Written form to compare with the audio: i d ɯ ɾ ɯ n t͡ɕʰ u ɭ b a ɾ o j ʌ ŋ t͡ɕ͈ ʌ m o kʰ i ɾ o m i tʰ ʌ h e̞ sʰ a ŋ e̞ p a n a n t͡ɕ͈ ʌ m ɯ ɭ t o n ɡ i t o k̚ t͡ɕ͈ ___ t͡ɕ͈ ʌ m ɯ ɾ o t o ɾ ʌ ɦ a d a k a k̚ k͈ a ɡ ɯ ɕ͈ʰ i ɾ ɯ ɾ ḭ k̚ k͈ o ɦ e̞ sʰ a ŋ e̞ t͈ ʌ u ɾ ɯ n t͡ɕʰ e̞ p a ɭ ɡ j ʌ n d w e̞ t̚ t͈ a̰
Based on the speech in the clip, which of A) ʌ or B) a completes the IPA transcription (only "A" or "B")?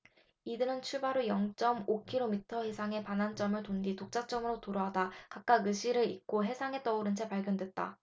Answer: B